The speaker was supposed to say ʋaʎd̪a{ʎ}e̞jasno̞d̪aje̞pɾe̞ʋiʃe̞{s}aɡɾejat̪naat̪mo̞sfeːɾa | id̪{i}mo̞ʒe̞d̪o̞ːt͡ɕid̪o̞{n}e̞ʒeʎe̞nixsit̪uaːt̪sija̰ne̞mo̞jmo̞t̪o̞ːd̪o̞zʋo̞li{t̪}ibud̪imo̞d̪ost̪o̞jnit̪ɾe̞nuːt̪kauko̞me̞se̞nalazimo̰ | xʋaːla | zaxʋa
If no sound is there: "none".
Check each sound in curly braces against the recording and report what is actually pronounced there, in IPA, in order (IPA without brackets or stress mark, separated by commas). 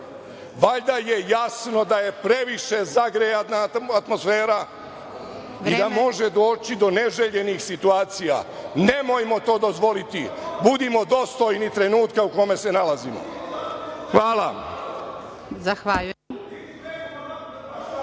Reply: j, z, a, n, t̪